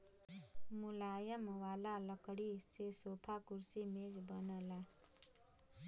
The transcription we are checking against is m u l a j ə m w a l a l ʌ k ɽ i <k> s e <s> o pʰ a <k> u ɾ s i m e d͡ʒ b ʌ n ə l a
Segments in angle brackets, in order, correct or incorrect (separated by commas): incorrect, correct, correct